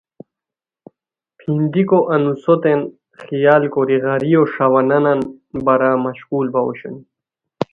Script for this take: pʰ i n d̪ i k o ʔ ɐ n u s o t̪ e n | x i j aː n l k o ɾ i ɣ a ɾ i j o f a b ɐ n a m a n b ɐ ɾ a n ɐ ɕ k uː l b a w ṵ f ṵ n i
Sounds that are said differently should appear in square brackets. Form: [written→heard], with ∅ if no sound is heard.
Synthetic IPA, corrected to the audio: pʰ i n d̪ i k o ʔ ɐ n u s o t̪ e n | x i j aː [n→∅] l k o ɾ i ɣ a ɾ i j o [f→ʂ] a [b→w] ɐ n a [m→n] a n b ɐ ɾ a [n→m] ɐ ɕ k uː l b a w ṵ [f→ɕ] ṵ n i